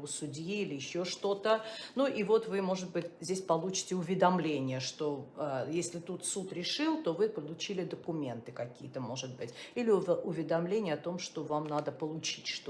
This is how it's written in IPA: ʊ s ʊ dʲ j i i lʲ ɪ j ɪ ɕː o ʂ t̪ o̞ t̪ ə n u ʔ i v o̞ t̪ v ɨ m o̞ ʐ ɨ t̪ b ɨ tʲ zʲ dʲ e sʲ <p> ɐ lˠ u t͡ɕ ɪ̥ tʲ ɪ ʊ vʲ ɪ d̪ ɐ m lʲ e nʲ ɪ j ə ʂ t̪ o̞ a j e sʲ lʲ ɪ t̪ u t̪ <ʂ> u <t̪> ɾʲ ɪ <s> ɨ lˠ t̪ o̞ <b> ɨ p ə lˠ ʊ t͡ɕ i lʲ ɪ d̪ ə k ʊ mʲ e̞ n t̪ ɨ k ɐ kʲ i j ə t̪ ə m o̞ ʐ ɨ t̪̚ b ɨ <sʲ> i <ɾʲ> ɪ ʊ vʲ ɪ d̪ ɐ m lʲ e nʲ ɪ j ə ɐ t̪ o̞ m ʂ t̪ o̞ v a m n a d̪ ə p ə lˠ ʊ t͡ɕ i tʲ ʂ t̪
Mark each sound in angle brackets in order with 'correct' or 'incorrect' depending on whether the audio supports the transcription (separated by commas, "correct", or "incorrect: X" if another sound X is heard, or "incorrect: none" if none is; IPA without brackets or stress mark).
correct, incorrect: s, correct, incorrect: ʂ, incorrect: v, incorrect: tʲ, incorrect: lʲ